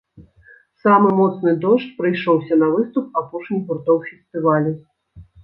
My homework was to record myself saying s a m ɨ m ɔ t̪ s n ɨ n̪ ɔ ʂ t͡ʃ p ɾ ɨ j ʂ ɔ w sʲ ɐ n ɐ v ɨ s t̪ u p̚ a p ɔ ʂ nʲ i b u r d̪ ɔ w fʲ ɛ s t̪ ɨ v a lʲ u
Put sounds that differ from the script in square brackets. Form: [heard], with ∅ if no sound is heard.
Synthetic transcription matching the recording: s a m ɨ m ɔ t̪ s n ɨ [d̪] ɔ ʂ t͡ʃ p ɾ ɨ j ʂ ɔ w sʲ ɐ n ɐ v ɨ s t̪ u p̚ a p ɔ ʂ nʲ i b u r [t̪] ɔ w fʲ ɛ s t̪ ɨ v a lʲ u